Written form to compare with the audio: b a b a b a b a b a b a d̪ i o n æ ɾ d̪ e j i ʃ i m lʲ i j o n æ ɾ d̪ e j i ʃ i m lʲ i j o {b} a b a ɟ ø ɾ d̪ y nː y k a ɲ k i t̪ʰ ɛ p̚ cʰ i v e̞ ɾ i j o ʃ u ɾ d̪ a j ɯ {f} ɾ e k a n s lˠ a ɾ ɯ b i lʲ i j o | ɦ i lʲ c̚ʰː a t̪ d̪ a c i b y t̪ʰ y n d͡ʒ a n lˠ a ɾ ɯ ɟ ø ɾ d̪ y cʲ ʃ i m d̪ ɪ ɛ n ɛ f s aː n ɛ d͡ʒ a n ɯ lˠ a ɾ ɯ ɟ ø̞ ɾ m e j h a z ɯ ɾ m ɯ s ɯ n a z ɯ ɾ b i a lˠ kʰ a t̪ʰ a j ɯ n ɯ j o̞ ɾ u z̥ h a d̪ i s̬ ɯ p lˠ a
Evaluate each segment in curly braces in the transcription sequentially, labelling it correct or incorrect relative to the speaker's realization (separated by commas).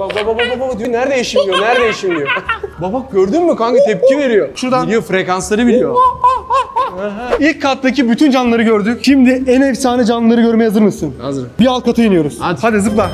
correct, correct